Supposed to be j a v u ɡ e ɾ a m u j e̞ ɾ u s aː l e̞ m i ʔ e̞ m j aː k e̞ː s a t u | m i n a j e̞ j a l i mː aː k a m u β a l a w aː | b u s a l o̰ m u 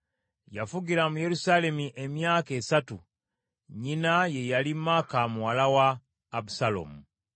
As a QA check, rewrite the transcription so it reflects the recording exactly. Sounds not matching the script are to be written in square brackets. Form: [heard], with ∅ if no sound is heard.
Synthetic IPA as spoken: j a [f] u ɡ [i] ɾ a m u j e̞ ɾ u s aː l e̞ m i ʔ e̞ m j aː k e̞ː s a t u | [ɲ] i n a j e̞ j a l i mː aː k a m u [w] a l a w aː | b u s a l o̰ m u